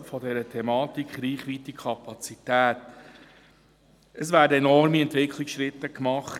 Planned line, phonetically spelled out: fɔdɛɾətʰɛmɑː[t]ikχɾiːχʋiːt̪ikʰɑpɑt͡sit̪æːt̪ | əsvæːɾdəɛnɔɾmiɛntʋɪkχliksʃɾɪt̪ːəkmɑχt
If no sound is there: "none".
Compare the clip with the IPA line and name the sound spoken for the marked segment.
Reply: t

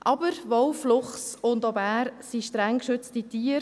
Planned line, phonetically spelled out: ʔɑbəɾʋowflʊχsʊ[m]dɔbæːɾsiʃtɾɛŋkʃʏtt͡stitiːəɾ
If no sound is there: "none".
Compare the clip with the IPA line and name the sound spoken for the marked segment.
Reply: n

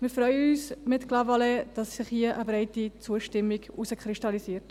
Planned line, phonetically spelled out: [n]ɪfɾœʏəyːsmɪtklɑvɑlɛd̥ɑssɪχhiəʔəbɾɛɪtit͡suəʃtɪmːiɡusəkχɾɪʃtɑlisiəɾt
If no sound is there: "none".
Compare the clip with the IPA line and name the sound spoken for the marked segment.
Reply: m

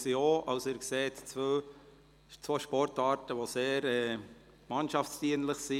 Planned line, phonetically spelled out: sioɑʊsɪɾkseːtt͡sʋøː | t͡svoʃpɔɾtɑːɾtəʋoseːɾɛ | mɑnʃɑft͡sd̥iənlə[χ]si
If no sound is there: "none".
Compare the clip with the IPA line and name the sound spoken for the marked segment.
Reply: χ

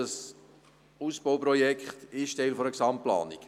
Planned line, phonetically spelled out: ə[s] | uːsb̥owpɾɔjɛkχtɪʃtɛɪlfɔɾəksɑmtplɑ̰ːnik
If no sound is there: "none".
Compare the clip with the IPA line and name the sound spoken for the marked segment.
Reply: s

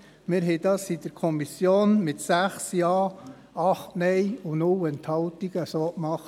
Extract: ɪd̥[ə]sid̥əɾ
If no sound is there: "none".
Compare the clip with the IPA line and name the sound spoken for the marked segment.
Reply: ɑ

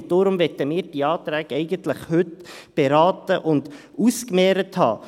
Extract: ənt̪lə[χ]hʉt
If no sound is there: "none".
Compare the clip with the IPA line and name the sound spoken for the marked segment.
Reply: χ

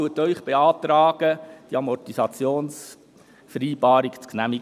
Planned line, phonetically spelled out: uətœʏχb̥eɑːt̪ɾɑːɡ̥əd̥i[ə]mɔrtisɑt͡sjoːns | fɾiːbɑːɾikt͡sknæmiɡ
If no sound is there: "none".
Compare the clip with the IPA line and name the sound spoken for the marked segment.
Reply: ɑ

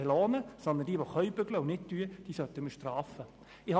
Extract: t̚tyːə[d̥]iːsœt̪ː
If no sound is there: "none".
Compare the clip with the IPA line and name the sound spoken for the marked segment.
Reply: d̥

